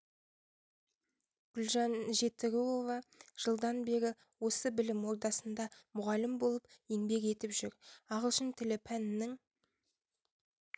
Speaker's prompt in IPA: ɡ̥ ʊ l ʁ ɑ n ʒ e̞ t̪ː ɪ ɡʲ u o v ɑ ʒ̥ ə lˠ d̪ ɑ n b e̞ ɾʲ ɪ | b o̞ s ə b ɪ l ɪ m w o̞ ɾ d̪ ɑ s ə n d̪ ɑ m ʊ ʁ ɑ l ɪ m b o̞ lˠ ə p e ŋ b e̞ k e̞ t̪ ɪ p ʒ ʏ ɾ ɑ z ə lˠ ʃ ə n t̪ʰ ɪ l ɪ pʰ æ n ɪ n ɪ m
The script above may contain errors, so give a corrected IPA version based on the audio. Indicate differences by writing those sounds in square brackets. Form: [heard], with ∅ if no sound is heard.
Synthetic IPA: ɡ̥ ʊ l [ʒ] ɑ n ʒ e̞ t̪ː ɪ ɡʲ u o v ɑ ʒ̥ ə lˠ d̪ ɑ n b e̞ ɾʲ ɪ | [w] o̞ s ə b ɪ l ɪ m w o̞ ɾ d̪ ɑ s ə n d̪ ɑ m ʊ ʁ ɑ l ɪ m b o̞ lˠ ə p e ŋ b e̞ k e̞ t̪ ɪ p ʒ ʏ ɾ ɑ [ʁ] ə lˠ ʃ ə n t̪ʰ ɪ l ɪ pʰ æ n ɪ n ɪ [ŋ]